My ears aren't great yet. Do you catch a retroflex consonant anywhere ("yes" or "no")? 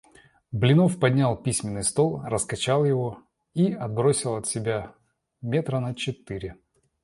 no